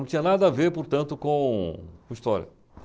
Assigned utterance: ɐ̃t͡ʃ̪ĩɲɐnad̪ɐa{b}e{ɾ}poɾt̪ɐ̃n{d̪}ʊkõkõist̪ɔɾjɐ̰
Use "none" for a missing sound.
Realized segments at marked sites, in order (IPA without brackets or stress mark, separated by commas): v, ɾ, t̪